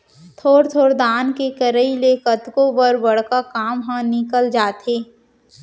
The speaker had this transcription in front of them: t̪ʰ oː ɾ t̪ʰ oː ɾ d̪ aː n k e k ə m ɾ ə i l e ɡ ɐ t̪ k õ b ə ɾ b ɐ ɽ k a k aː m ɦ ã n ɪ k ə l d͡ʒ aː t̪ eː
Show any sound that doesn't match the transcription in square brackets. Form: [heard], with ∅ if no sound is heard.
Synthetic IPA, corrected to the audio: t̪ʰ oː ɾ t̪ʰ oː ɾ d̪ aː n k e k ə [∅] ɾ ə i l e [k] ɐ t̪ k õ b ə ɾ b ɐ ɽ k a k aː m ɦ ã n ɪ k ə l d͡ʒ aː t̪ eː